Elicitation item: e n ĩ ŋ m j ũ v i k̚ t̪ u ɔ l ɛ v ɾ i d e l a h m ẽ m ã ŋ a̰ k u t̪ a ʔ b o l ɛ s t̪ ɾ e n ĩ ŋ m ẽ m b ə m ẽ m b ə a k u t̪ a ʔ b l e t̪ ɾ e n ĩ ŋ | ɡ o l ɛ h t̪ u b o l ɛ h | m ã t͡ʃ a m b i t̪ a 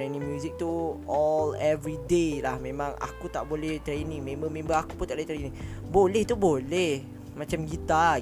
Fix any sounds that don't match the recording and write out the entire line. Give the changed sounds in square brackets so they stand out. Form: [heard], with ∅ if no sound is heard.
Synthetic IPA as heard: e n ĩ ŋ m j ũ [z] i k̚ t̪ u ɔ l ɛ v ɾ i d e l a h m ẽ m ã ŋ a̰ k u t̪ a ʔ b o l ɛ [h] t̪ ɾ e n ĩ ŋ m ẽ m b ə m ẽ m b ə a k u t̪ a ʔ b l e t̪ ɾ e n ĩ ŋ | [b] o l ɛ h t̪ u b o l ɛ h | m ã t͡ʃ a m [ɡ] i t̪ a